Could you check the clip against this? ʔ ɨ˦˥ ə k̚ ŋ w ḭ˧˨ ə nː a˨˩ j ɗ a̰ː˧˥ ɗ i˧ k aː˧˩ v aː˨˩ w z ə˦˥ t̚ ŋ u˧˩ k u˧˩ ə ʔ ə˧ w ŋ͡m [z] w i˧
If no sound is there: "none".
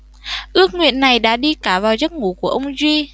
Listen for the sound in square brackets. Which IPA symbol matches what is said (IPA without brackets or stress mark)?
z